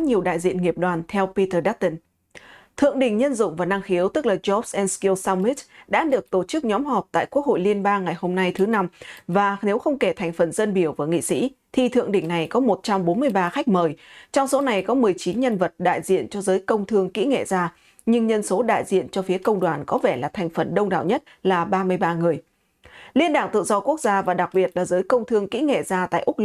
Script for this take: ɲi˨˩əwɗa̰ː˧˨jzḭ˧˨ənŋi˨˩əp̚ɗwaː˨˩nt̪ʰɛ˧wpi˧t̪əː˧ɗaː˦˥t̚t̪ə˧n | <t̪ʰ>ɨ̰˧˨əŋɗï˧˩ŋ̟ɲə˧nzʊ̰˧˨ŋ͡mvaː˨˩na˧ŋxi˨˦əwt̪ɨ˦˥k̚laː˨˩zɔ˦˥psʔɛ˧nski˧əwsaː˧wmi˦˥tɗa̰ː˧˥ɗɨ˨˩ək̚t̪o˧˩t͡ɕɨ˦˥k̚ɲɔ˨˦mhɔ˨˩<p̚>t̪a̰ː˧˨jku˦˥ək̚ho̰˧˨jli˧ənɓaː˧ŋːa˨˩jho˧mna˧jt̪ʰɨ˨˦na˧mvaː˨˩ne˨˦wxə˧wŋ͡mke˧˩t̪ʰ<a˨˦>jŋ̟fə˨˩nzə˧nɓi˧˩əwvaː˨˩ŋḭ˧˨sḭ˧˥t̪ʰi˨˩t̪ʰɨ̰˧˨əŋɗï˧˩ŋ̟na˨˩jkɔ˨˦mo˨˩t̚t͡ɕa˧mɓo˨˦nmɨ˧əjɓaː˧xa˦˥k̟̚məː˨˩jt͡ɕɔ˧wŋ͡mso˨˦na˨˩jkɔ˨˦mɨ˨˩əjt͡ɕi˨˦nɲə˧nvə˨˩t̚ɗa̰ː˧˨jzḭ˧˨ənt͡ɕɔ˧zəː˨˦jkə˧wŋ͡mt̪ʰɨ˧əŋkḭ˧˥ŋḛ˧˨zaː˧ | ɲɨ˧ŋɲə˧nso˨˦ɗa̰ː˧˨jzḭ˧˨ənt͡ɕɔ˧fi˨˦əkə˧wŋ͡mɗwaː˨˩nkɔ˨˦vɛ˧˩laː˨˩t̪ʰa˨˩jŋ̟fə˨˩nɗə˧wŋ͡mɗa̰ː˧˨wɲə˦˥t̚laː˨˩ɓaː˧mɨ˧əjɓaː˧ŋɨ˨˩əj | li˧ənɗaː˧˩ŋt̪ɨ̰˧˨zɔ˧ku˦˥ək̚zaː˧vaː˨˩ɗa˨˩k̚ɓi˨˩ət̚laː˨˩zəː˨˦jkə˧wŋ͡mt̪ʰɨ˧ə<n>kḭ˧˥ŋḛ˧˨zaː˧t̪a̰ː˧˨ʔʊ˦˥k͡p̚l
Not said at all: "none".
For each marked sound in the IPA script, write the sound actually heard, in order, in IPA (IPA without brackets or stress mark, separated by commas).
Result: t̪ʰ, p̚, a˨˩, ŋ